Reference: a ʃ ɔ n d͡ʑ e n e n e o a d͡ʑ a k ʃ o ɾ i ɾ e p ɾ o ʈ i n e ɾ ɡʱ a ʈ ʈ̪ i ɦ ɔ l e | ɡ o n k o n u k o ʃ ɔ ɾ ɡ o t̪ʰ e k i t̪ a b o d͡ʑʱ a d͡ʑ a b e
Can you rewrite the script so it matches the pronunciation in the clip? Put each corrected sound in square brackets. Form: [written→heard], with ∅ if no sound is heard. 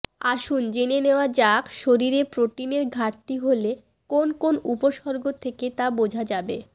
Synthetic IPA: a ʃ [ɔ→u] n d͡ʑ e n e n e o a d͡ʑ a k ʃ o ɾ i ɾ e p ɾ o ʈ i n e ɾ ɡʱ a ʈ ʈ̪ i ɦ [ɔ→o] l e | [ɡ→k] o n k o n u [k→p] o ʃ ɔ ɾ ɡ o t̪ʰ e k [i→e] t̪ a b o d͡ʑʱ a d͡ʑ a b e